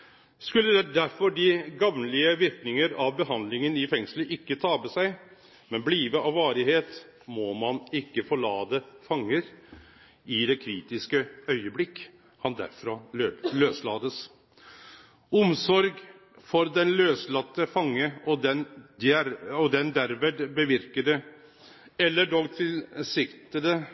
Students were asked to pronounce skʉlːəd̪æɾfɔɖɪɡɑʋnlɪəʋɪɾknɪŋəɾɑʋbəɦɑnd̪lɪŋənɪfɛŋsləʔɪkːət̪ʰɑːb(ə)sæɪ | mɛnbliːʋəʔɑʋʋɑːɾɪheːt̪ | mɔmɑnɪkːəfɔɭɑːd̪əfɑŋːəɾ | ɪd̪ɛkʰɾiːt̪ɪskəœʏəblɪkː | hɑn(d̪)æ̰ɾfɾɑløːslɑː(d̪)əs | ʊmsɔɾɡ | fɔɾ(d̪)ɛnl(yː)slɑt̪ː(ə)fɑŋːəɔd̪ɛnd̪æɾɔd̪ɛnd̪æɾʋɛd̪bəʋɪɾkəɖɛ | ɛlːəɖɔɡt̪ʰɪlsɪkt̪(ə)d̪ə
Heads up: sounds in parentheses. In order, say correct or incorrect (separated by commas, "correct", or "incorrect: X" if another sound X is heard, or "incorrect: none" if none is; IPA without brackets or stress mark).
correct, correct, correct, correct, incorrect: øː, correct, correct